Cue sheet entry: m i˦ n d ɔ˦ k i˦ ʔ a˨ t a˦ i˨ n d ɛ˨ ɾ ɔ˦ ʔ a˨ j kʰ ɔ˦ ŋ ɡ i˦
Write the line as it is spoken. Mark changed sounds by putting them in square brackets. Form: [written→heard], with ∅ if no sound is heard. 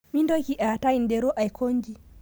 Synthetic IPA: m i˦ n d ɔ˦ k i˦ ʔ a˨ t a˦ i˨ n d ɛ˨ ɾ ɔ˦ ʔ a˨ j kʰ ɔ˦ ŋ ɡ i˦